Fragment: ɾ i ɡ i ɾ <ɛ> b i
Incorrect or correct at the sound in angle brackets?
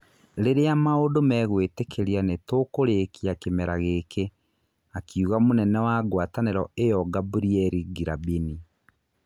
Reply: incorrect: a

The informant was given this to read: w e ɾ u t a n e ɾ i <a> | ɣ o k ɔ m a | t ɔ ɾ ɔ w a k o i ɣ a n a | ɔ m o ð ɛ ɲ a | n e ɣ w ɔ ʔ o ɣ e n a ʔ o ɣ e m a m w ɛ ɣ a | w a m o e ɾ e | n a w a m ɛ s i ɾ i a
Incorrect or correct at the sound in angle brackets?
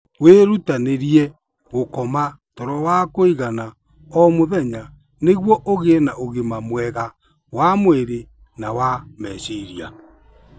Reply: incorrect: ɛ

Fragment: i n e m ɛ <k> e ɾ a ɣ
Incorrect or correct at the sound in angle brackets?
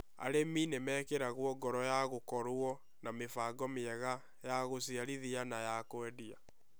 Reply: correct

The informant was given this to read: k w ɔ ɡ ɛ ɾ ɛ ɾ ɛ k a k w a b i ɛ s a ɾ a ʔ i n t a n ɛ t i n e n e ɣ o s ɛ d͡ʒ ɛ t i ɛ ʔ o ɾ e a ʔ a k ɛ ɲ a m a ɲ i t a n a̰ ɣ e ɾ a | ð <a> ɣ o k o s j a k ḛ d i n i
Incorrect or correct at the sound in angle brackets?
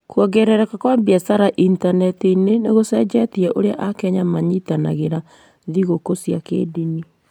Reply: incorrect: i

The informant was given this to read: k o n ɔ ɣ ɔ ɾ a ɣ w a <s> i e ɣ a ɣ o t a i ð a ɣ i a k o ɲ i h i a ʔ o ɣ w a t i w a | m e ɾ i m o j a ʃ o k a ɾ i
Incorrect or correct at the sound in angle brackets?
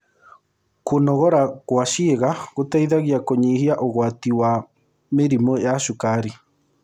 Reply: incorrect: ʃ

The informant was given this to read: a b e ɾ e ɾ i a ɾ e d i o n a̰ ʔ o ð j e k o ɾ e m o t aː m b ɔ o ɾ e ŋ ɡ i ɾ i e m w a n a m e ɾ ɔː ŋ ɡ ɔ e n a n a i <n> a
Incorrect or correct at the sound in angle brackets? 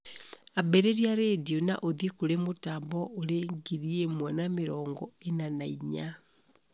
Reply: incorrect: ɲ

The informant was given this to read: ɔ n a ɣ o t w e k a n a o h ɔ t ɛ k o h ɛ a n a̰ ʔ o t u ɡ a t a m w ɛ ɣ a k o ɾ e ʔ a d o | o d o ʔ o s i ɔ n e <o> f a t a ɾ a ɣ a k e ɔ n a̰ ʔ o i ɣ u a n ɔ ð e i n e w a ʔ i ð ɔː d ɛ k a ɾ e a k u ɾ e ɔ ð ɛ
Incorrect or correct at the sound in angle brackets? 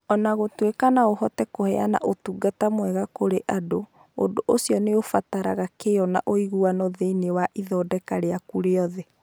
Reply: correct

